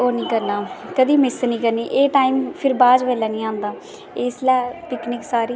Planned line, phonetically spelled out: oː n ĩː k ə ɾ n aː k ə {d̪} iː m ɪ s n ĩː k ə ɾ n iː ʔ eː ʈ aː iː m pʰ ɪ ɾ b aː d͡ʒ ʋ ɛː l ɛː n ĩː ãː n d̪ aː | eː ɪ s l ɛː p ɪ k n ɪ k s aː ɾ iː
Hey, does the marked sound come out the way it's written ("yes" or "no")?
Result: yes